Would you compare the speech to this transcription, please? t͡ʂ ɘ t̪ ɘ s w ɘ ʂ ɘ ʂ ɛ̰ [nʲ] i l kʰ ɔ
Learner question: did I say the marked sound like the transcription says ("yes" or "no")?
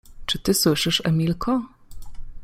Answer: no